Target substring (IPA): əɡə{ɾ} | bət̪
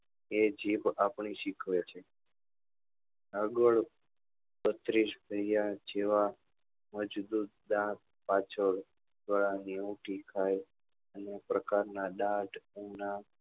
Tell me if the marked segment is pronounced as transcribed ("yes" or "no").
no